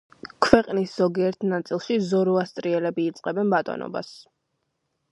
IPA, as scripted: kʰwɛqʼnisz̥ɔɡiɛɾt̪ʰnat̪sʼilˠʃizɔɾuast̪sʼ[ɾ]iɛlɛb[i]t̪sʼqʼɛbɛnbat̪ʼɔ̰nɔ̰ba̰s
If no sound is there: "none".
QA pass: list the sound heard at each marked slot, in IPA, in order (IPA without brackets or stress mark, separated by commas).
ɾ, iː